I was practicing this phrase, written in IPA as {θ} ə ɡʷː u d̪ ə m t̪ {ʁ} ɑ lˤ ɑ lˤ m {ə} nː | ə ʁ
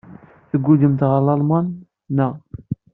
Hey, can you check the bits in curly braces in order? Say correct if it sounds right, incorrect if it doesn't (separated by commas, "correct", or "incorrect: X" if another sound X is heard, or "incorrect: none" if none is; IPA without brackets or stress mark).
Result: correct, correct, incorrect: ɑ